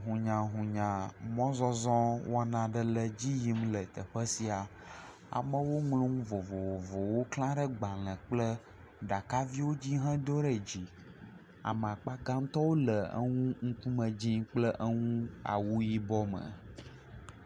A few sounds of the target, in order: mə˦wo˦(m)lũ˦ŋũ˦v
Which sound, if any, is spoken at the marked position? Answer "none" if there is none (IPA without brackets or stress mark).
ŋ